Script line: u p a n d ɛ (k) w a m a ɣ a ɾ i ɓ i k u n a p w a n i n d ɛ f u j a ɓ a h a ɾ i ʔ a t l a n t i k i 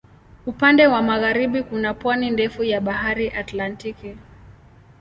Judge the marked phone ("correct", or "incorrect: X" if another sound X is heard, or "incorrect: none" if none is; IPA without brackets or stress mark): incorrect: none